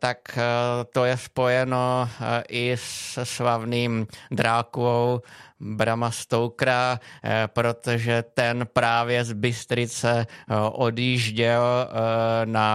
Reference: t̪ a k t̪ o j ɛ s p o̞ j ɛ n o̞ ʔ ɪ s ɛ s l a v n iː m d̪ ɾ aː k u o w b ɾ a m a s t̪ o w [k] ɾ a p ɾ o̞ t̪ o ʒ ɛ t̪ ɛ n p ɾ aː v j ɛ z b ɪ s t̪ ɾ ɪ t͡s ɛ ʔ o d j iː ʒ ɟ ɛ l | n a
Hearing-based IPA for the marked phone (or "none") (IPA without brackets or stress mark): k